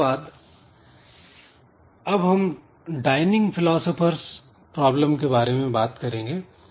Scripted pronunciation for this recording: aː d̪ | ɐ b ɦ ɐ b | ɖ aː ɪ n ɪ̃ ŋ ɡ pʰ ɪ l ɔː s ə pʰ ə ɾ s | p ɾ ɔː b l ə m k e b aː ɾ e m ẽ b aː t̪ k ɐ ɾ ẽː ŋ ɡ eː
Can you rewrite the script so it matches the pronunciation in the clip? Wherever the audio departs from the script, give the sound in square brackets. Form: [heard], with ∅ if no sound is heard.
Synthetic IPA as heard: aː d̪ | ɐ b ɦ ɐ [m] | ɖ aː ɪ n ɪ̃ ŋ ɡ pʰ ɪ l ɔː s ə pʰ ə ɾ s | p ɾ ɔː b l ə m k e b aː ɾ e m ẽ b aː t̪ k ɐ ɾ ẽː ŋ ɡ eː

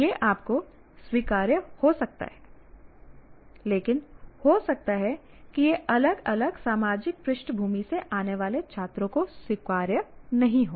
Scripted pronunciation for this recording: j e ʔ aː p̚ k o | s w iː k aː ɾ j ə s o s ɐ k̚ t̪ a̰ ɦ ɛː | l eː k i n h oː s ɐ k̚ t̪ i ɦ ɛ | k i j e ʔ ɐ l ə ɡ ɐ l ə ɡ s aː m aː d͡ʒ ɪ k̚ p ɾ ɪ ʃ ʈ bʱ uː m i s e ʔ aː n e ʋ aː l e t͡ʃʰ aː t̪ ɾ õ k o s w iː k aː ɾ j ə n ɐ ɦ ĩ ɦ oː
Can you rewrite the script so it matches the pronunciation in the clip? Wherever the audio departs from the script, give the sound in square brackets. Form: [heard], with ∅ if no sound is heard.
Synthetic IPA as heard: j e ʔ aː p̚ k o | s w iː k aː ɾ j ə [h] o s ɐ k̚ t̪ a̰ ɦ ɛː | l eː k [ɪ] n h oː s ɐ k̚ t̪ [a] ɦ ɛ | k i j e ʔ ɐ l ə ɡ ɐ l ə ɡ s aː m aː d͡ʒ ɪ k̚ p ɾ ɪ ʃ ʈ bʱ uː m i s e ʔ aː n e ʋ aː l e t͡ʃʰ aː t̪ ɾ õ k o s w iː k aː ɾ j ə n ɐ ɦ ĩ ɦ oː

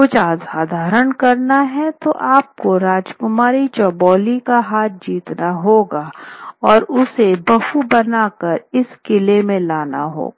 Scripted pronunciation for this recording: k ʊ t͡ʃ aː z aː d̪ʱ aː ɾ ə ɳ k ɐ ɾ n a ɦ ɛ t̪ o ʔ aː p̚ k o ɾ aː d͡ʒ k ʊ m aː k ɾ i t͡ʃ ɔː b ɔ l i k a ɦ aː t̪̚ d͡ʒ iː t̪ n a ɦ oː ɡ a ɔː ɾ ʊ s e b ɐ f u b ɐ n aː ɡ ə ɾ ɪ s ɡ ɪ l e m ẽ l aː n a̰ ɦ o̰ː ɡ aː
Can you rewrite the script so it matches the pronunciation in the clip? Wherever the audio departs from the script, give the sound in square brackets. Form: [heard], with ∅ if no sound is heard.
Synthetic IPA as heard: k ʊ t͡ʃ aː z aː d̪ʱ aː ɾ ə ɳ k ɐ ɾ n a ɦ ɛ t̪ o ʔ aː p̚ k o ɾ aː d͡ʒ k ʊ m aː [∅] ɾ i t͡ʃ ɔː b [ɔː] l i k a ɦ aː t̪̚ d͡ʒ iː t̪ n a ɦ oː ɡ a ɔː ɾ ʊ s e b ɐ f u b ɐ n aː [k] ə ɾ ɪ s [k] ɪ l e m ẽ l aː n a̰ ɦ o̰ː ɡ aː

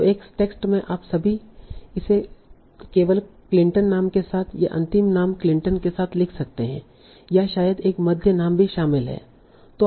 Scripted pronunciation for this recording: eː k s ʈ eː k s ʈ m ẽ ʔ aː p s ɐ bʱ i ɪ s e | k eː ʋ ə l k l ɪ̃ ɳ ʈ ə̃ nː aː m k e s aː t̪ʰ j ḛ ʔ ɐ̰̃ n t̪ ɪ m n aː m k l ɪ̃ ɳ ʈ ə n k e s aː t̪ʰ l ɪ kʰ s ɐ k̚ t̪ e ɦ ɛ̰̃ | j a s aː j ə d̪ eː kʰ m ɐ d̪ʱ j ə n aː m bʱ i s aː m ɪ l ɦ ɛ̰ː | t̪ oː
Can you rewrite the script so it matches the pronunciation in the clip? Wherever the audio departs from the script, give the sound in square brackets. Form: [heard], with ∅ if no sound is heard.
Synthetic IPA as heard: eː k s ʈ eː k s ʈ m ẽ ʔ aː p s ɐ bʱ i ɪ s e | k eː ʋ ə l k l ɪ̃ ɳ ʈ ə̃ nː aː m k e s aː t̪ʰ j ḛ ʔ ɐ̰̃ n t̪ ɪ m n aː m k l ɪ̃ ɳ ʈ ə n k e s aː t̪ʰ l ɪ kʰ s ɐ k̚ t̪ e ɦ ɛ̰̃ | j a [ʃ] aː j ə d̪ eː [k] m ɐ d̪ʱ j ə n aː m bʱ i [ʃ] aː m ɪ l ɦ ɛ̰ː | t̪ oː

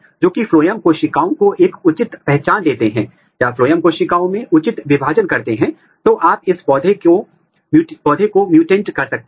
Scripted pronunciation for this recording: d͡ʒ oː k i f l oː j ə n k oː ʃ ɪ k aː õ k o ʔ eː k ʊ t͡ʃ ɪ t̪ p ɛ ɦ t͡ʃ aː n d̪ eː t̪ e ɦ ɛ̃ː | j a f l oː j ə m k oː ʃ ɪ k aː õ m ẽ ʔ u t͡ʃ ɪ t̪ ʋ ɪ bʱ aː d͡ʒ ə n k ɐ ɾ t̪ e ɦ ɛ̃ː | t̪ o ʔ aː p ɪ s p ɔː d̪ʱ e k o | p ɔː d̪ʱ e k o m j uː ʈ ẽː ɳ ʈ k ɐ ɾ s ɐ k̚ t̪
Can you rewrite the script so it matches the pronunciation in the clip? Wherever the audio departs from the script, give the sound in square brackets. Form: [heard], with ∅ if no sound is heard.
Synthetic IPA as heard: d͡ʒ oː k i f l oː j ə [m] k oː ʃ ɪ k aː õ k o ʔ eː k ʊ t͡ʃ ɪ t̪ p ɛ ɦ t͡ʃ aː n d̪ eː t̪ e ɦ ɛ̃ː | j a f l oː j ə m k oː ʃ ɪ k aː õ m ẽ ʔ [ʊ] t͡ʃ ɪ t̪ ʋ ɪ bʱ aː d͡ʒ ə n k ɐ ɾ t̪ e ɦ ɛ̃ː | t̪ o ʔ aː p ɪ s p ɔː d̪ʱ e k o | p ɔː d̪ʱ e k o m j uː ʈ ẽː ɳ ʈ k ɐ ɾ s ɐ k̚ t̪

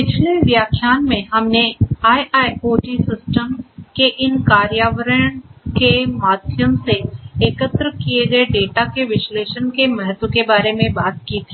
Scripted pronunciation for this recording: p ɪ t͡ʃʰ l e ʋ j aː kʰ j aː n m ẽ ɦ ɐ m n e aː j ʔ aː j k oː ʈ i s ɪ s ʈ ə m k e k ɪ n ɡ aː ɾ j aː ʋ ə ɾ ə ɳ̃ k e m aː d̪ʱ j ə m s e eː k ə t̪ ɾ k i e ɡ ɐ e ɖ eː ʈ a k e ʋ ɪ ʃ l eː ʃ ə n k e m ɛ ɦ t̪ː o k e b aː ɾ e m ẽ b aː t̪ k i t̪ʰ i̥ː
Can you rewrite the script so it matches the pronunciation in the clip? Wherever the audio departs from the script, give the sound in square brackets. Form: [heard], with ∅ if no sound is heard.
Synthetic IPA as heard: p ɪ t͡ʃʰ l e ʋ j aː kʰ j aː n m ẽ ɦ ɐ m n e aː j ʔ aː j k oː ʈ i s ɪ s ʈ ə m k e [ʔ] ɪ n [k] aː ɾ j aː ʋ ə ɾ ə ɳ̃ k e m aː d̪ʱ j ə m s e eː k ə t̪ ɾ k i e ɡ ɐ e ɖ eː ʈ a k e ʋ ɪ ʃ l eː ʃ ə n k e m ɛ ɦ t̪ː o k e b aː ɾ e m ẽ b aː t̪ k i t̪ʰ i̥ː

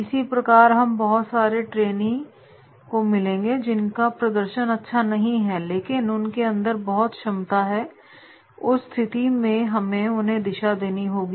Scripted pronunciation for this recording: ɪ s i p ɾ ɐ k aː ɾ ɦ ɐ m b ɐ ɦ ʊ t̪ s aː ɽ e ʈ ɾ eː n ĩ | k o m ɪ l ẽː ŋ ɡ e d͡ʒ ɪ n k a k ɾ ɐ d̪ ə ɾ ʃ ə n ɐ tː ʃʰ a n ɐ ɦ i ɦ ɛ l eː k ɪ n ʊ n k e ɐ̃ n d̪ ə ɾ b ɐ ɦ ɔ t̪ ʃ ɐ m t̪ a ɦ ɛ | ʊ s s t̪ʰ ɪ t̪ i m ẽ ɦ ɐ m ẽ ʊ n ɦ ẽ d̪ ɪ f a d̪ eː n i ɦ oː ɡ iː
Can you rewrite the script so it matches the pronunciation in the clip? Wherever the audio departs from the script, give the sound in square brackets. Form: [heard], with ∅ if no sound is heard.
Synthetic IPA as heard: ɪ s i p ɾ ɐ k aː ɾ ɦ ɐ m b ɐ ɦ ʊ t̪ s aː [ɾ] e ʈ ɾ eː n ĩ | k o m ɪ l ẽː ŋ ɡ e d͡ʒ ɪ n k a [p] ɾ ɐ d̪ ə ɾ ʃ ə n ɐ tː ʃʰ a n ɐ ɦ [ĩ] ɦ ɛ l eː k ɪ n ʊ n k e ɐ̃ n d̪ ə ɾ b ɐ ɦ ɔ t̪ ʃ ɐ m t̪ a ɦ ɛ | ʊ s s t̪ʰ ɪ t̪ i m ẽ ɦ ɐ m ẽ ʊ n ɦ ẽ d̪ ɪ [ʃ] a d̪ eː n i ɦ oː ɡ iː

